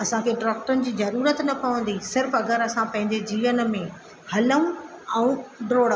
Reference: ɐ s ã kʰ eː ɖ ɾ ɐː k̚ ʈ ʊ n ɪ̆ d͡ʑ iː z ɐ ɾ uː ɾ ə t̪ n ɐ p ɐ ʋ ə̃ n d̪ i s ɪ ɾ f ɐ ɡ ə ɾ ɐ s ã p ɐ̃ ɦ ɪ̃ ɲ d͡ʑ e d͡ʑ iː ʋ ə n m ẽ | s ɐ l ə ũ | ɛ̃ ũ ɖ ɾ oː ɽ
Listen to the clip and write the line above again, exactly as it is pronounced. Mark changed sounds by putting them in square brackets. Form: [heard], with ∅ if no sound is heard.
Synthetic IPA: ɐ s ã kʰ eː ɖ ɾ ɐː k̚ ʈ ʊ n ɪ̆ d͡ʑ iː z ɐ ɾ uː ɾ ə t̪ n ɐ p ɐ ʋ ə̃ n d̪ i s ɪ ɾ f ɐ ɡ ə ɾ ɐ s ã p ɐ̃ ɦ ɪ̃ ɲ d͡ʑ e d͡ʑ iː ʋ ə n m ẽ | [h] ɐ l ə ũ | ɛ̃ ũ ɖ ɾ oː ɽ